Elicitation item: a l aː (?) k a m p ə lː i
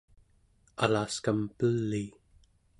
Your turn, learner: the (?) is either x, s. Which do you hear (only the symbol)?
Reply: s